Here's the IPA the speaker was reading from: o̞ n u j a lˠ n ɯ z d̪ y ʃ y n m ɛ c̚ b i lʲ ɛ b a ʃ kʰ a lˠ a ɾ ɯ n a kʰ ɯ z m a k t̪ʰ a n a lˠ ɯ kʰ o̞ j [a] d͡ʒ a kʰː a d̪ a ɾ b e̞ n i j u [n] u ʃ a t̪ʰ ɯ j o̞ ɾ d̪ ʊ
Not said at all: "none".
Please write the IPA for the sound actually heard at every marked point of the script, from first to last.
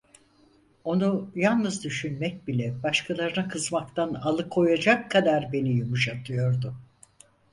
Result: a, m

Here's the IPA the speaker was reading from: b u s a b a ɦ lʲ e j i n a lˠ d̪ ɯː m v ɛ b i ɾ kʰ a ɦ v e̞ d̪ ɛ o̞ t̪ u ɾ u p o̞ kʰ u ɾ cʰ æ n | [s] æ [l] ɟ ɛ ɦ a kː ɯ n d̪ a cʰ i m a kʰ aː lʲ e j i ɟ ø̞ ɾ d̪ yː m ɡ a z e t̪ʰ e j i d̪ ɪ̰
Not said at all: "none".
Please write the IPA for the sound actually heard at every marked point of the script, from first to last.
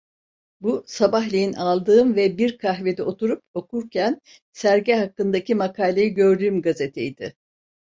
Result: s, ɾ

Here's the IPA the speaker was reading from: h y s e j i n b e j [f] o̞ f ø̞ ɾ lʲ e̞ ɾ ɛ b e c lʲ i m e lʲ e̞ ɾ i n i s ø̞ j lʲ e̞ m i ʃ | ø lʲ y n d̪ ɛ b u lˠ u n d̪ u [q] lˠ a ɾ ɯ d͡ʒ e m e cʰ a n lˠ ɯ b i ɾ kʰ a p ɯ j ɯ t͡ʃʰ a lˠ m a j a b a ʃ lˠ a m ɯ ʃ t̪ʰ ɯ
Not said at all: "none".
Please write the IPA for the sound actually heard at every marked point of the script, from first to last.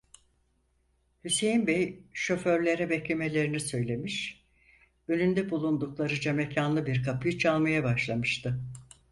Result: ʃ, k

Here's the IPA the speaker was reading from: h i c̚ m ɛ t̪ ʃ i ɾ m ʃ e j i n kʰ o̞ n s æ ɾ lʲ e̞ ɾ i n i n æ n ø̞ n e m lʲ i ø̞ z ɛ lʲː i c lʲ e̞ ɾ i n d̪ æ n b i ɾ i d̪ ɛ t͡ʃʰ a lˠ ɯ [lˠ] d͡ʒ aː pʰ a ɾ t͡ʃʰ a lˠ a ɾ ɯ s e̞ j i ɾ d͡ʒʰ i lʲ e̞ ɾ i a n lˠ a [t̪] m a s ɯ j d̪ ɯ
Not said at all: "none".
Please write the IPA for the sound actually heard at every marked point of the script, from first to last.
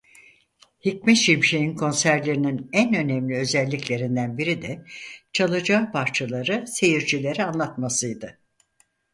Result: none, t̪

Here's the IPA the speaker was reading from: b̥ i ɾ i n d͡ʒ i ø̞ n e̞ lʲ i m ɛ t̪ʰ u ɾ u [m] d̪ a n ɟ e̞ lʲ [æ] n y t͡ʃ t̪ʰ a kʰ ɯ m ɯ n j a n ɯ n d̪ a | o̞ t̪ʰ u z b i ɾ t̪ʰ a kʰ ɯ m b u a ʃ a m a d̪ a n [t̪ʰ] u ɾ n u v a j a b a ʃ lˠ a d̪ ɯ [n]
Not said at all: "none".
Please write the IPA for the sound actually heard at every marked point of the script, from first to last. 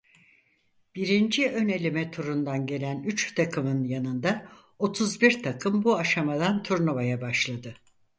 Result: n, æ, t̪ʰ, none

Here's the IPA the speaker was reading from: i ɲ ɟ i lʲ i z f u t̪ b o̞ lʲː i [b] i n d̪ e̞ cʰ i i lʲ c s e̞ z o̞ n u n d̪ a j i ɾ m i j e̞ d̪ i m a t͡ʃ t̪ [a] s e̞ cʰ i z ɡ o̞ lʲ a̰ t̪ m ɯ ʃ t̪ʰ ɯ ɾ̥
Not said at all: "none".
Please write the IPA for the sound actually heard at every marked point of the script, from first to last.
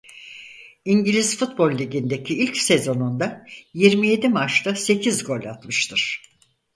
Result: ɟ, a

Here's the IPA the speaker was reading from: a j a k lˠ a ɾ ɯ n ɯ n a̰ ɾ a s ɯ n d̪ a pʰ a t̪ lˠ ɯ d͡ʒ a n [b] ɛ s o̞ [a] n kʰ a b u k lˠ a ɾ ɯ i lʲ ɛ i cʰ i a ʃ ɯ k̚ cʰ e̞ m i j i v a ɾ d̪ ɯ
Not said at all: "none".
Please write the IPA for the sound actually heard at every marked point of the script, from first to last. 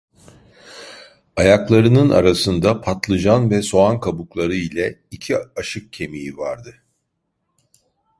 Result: v, a

